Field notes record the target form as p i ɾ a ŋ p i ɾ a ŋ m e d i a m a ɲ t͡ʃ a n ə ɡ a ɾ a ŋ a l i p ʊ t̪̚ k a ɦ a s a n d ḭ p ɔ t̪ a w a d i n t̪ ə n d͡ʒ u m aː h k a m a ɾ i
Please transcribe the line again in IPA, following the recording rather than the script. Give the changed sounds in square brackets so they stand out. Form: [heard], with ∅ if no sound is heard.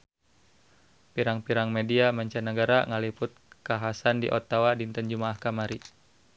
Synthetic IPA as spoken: p i ɾ a ŋ p i ɾ a ŋ m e d i a m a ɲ t͡ʃ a n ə ɡ a ɾ a ŋ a l i p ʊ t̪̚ k a ɦ a s a n d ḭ [ʔ] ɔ t̪ a w a d i n t̪ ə n d͡ʒ u m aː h k a m a ɾ i